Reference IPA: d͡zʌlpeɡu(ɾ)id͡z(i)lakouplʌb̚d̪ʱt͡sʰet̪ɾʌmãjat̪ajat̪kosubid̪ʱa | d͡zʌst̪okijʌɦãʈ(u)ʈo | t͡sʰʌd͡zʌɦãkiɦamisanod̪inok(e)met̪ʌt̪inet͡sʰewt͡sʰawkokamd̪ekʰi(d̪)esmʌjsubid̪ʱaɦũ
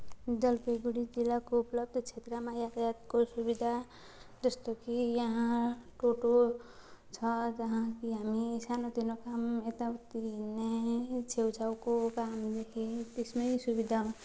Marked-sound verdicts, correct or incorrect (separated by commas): incorrect, correct, incorrect, incorrect, incorrect